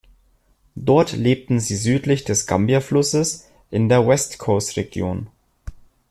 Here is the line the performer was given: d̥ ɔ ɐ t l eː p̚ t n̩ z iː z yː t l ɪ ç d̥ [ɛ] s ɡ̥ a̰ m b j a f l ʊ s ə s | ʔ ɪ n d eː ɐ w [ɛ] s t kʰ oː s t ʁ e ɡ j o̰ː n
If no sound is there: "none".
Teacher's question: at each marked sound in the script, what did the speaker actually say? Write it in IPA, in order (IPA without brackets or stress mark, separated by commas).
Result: ɛ, ɛ